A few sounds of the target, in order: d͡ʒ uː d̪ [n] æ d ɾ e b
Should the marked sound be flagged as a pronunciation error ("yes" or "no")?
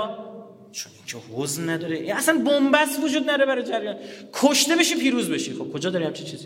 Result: no